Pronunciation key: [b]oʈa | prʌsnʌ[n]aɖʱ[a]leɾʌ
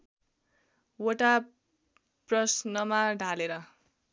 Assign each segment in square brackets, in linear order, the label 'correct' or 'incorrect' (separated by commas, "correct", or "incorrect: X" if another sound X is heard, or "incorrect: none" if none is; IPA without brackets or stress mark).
incorrect: w, incorrect: m, correct